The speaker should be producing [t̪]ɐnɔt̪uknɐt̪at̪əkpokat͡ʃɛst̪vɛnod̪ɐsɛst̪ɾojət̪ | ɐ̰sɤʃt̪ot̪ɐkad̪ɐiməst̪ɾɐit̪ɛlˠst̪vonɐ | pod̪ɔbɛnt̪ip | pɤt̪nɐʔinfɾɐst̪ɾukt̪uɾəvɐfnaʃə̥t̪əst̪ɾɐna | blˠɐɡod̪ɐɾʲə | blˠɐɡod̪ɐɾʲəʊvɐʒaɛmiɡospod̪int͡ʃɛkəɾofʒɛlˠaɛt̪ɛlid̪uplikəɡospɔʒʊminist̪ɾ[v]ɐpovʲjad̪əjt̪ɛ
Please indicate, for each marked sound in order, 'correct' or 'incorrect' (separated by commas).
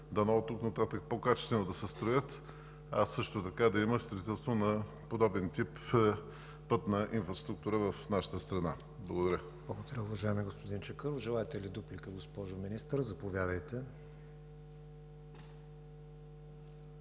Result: incorrect, incorrect